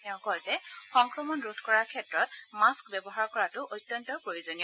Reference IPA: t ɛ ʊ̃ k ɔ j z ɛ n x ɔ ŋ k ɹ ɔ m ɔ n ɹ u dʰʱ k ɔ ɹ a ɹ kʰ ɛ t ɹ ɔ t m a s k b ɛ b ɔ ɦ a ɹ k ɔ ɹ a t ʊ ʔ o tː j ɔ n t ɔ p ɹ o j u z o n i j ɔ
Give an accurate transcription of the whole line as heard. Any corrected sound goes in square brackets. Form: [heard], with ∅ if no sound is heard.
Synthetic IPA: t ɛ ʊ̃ k ɔ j z ɛ [∅] x ɔ ŋ k ɹ ɔ m ɔ n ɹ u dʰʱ k ɔ ɹ a ɹ kʰ ɛ t ɹ ɔ t m a s k b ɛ b ɔ ɦ a ɹ k ɔ ɹ a t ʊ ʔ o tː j ɔ n t ɔ p ɹ o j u z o n i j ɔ